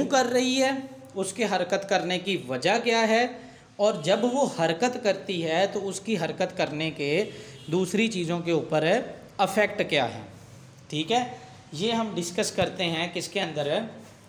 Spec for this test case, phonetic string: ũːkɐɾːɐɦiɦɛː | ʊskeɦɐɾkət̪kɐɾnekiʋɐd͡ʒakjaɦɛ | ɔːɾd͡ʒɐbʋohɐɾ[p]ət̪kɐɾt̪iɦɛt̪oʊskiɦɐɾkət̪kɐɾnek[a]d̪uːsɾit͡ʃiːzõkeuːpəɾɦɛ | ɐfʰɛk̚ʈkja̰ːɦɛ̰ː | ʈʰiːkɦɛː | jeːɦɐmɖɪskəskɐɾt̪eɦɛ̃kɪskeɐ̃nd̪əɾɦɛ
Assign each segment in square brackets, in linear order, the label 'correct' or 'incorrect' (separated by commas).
incorrect, incorrect